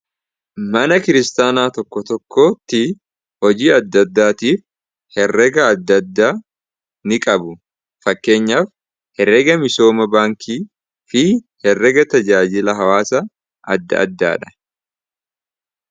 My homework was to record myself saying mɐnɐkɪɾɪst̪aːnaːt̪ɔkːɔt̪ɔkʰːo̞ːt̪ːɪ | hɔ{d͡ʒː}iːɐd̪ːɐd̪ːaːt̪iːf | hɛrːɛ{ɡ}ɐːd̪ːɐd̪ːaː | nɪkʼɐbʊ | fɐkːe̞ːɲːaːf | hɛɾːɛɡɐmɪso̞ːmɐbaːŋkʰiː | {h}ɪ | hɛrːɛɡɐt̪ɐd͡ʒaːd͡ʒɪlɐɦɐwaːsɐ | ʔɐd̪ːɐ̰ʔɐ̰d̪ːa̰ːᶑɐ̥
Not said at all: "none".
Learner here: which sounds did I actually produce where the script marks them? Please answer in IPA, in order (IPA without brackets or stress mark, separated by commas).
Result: d͡ʒ, ɡ, f